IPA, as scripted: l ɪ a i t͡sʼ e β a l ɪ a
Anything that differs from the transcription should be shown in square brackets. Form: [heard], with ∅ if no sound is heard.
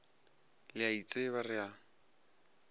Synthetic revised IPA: l ɪ a i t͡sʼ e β a [r] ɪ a